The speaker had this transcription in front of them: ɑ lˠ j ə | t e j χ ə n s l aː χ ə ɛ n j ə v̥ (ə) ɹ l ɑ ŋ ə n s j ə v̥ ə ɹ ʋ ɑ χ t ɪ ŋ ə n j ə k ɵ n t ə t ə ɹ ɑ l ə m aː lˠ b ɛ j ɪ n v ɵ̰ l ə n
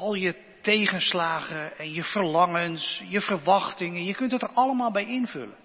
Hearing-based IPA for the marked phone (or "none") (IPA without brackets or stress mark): ə